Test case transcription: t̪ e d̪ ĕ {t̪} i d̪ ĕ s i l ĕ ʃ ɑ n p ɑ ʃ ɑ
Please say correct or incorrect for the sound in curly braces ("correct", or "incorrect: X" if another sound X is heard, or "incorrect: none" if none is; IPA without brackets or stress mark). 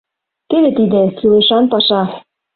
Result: correct